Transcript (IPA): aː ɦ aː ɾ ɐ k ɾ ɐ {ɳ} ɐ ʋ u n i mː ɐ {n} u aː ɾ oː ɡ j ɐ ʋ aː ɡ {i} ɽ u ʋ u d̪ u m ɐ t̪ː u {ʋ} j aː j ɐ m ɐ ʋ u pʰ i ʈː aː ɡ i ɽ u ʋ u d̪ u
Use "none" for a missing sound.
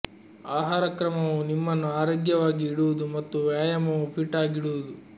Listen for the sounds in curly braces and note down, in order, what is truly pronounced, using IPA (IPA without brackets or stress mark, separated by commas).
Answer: m, nː, iː, ʋ